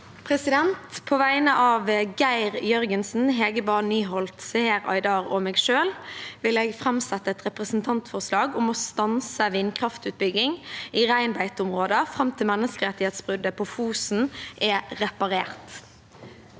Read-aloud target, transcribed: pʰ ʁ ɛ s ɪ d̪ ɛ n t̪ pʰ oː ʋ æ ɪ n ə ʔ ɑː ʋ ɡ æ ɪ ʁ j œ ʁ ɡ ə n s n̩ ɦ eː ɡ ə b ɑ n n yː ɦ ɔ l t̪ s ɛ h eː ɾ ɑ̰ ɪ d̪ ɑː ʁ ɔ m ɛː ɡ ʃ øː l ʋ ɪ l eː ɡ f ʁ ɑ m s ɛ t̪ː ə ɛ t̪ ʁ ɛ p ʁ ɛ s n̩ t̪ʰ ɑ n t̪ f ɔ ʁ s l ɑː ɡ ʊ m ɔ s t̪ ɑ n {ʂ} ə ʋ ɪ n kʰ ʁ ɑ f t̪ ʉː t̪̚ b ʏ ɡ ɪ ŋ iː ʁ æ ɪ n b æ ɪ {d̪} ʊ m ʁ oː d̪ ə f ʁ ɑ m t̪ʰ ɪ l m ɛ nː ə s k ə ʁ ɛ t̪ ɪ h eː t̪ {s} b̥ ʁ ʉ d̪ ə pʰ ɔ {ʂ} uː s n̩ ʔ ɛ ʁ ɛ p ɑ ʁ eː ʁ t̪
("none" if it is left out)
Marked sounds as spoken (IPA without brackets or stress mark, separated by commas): s, t̪, s, f